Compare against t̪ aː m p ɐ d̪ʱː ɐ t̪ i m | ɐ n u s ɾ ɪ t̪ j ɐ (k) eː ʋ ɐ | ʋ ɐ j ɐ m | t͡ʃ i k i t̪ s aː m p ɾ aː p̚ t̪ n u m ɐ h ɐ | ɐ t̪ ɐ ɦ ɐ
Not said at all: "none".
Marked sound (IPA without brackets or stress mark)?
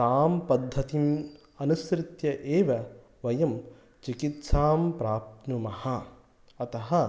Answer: ʔ